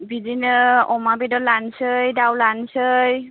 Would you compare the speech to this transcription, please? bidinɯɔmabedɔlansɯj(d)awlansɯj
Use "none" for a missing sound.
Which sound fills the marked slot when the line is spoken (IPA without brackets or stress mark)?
d